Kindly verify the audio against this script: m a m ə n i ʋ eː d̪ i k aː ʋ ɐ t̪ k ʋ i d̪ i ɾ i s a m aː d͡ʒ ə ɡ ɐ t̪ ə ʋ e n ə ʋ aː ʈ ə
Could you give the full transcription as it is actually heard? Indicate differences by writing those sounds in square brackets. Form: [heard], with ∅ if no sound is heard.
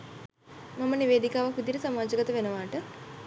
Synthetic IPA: m a m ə n i ʋ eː d̪ i k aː ʋ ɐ [∅] k ʋ i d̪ i ɾ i s a m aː d͡ʒ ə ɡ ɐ t̪ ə ʋ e n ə ʋ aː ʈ ə